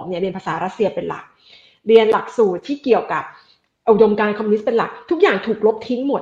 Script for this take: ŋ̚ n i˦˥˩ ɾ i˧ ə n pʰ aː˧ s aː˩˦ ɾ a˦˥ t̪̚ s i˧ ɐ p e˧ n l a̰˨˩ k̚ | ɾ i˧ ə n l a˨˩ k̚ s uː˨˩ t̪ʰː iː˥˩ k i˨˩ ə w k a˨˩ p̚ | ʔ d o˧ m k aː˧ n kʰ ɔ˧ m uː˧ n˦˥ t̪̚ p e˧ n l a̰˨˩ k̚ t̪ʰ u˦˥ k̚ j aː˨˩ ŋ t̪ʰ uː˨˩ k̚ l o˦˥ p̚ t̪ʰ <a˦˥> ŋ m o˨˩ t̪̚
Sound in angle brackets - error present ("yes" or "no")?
yes